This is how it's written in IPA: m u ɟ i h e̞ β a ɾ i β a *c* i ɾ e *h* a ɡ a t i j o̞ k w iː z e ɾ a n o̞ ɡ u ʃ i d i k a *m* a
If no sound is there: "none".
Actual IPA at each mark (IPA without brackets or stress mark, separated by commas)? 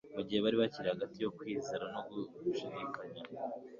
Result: c, h, ɲ